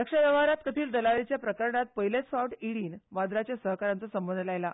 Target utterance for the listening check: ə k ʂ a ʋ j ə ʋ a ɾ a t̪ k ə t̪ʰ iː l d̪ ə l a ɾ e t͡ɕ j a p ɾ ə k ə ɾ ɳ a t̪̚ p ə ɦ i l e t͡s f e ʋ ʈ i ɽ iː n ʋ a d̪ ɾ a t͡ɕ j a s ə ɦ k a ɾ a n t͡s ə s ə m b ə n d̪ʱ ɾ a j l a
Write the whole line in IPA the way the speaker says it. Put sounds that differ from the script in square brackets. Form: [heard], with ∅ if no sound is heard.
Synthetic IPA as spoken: ə k ʂ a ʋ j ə ʋ a ɾ a t̪ k ə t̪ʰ iː l d̪ ə l a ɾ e t͡ɕ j a p ɾ ə k ə ɾ ɳ a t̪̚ p ə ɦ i l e t͡s f [a] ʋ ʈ i ɽ iː n ʋ a d̪ ɾ a t͡ɕ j a s ə ɦ k a ɾ a n t͡s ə s ə m b ə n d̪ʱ [l] a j l a